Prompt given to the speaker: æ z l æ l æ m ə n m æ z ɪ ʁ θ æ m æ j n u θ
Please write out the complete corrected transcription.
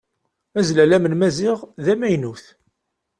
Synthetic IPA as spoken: æ z l æ l æ m ə n m æ z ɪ ʁ ð æ m æ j n u θ